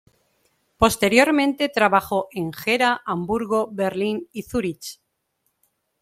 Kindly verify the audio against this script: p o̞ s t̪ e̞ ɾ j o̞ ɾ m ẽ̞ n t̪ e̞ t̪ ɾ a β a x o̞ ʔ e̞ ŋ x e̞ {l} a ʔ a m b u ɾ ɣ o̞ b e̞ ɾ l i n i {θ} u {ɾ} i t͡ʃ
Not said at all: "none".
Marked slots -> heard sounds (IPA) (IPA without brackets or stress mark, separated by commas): ɾ, θ, ɾ